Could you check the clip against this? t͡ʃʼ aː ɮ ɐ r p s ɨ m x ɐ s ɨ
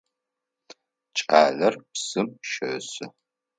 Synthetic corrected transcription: t͡ʃʼ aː ɮ ɐ r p s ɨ m ʃ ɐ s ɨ